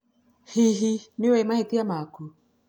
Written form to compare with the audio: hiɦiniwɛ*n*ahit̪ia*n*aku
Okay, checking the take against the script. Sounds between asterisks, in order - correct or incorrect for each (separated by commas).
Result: incorrect, incorrect